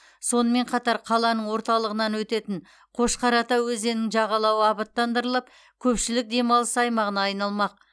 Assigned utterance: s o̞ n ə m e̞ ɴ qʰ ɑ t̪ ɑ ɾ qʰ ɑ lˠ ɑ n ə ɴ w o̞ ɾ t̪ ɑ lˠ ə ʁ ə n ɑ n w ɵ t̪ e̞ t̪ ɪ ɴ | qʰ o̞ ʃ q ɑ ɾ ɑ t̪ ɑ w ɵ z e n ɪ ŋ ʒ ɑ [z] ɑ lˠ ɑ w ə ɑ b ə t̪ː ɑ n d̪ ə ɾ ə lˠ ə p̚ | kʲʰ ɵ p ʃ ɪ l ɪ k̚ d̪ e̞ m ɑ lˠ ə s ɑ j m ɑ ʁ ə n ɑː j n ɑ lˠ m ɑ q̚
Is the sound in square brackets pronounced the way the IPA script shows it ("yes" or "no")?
no